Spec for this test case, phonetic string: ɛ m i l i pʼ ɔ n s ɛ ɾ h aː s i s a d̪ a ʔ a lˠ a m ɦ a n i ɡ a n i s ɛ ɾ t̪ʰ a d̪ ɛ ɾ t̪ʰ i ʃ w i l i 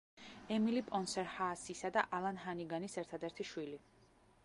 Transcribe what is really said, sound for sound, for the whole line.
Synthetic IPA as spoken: ɛ m i l i pʼ ɔ n s ɛ ɾ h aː s i s a d̪ a ʔ a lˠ a n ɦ a n i ɡ a n i s ɛ ɾ t̪ʰ a d̪ ɛ ɾ t̪ʰ i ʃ w i l i

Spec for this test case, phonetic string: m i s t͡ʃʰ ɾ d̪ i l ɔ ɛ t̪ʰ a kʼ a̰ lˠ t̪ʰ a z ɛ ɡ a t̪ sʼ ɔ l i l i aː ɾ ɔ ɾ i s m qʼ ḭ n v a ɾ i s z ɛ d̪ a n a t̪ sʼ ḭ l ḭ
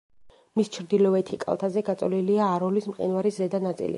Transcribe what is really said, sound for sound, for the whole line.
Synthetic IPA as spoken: m i s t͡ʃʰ ɾ d̪ i l ɔ ɛ t̪ʰ i kʼ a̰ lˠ t̪ʰ a z ɛ ɡ a t̪ sʼ ɔ l i l i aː ɾ ɔ l i s m qʼ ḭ n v a ɾ i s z ɛ d̪ a n a t̪ sʼ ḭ l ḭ

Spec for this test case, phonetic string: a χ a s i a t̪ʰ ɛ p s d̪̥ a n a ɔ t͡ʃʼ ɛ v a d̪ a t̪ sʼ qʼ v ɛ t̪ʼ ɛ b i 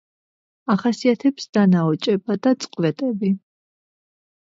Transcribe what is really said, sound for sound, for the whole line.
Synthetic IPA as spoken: a χ a s i a t̪ʰ ɛ p s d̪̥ a n a ɔ t͡ʃʼ ɛ b a d̪ a t̪ sʼ qʼ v ɛ t̪ʼ ɛ b i

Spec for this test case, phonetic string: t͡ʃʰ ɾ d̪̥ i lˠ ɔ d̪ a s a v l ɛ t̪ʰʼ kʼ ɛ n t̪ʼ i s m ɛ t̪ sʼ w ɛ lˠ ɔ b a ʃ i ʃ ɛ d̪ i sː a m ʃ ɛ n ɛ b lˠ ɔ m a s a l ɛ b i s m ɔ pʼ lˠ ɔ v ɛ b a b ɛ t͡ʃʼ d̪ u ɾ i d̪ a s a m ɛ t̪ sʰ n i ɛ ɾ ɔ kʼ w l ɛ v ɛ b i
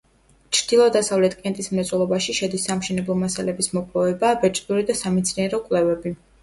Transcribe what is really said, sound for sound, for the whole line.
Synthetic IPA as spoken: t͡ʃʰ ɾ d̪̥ i lˠ ɔ d̪ a s a v l ɛ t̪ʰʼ kʼ ɛ n t̪ʼ i s m ɛ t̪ sʼ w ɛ lˠ ɔ b a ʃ i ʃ ɛ d̪ i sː a m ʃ ɛ n ɛ b lˠ ɔ m a s a l ɛ b i s m ɔ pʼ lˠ ɔ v ɛ b a b ɛ t͡ʃʼ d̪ u ɾ i d̪ a s a m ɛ t̪ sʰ n i ɛ ɾ ɔ kʼ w l ɛ v ɛ b i

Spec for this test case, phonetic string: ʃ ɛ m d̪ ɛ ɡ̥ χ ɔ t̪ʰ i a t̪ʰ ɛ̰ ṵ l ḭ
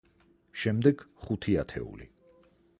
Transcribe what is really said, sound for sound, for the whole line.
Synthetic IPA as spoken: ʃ ɛ m d̪ ɛ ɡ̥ χ u t̪ʰ i a t̪ʰ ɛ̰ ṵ l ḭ

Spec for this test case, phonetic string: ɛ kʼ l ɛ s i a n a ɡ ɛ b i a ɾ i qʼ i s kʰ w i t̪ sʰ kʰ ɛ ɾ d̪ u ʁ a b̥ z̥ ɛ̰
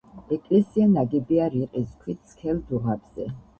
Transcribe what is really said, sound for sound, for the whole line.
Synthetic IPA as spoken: ɛ kʼ l ɛ s i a n a ɡ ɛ b i a ɾ i qʼ i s kʰ w i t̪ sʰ kʰ ɛ l d̪ u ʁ a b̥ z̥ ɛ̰

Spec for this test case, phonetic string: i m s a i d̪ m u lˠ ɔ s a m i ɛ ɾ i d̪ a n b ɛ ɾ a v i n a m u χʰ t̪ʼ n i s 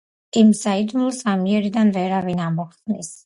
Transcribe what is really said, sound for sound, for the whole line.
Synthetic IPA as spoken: i m s a i d̪ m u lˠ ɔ s a m i ɛ ɾ i d̪ a n v ɛ ɾ a v i n a m ɔ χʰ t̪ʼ n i s

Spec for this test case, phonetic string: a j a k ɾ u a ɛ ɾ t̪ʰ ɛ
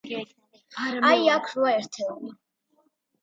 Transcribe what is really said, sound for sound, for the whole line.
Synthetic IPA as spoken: a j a kʰ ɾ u a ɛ ɾ t̪ʰ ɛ

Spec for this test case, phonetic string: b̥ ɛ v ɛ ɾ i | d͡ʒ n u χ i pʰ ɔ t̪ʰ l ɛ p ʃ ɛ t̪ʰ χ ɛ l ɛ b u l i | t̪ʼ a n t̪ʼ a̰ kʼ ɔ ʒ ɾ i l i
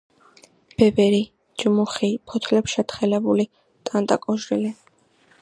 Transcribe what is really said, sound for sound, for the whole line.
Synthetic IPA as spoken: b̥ ɛ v ɛ ɾ i | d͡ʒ m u χ i pʰ ɔ t̪ʰ l ɛ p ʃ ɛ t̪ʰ χ ɛ l ɛ b u l i | t̪ʼ a n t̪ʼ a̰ kʼ ɔ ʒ ɾ i l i

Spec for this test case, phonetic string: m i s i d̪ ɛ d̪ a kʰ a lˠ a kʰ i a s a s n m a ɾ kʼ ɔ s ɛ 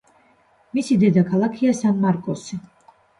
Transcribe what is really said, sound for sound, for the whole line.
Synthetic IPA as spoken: m i s i d̪ ɛ d̪ a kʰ a lˠ a kʰ i a s a n m a ɾ kʼ ɔ s i

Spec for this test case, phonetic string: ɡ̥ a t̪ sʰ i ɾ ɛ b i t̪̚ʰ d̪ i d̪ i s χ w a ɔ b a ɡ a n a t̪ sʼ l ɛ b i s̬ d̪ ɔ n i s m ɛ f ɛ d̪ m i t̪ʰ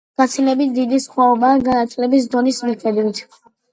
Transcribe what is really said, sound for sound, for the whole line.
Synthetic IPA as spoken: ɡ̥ a t̪ sʰ i l ɛ b i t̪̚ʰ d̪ i d̪ i s χ w a ɔ b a ɡ a n a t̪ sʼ l ɛ b i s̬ d̪ ɔ n i s m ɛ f ɛ d̪ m i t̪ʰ

